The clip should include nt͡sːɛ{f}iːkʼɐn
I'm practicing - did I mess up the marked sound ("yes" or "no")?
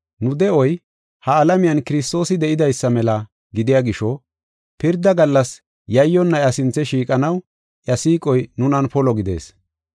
yes